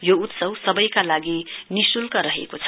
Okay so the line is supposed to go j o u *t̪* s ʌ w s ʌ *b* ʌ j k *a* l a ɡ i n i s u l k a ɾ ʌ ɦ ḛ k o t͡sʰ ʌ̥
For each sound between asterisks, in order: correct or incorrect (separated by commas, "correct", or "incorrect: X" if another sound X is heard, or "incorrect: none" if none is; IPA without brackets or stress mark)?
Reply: correct, correct, correct